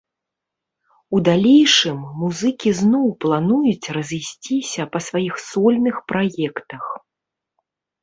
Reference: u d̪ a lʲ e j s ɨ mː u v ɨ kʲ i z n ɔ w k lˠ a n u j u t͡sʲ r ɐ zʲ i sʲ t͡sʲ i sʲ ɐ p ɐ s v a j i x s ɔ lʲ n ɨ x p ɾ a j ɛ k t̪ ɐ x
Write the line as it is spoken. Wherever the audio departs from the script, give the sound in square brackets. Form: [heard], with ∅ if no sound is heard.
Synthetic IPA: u d̪ a lʲ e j [ʂ] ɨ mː u [z] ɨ kʲ i z n ɔ w [p] lˠ a n u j u t͡sʲ r ɐ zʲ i sʲ t͡sʲ i sʲ ɐ p ɐ s v a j i x s ɔ lʲ n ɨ x p ɾ a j ɛ k t̪ ɐ x